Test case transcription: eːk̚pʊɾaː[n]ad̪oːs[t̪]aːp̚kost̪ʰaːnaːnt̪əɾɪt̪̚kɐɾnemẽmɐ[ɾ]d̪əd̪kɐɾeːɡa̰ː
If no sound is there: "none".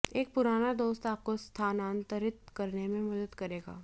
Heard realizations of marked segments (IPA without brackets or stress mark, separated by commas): n, t̪, none